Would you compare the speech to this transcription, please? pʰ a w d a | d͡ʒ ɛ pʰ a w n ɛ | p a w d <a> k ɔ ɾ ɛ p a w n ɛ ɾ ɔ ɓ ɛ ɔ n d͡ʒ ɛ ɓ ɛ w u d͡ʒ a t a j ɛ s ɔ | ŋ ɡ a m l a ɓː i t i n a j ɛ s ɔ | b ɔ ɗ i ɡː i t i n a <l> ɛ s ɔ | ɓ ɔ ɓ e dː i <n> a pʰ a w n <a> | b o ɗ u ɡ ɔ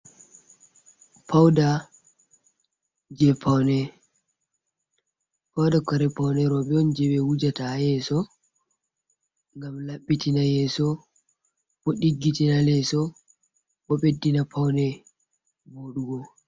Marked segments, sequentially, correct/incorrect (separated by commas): correct, correct, correct, incorrect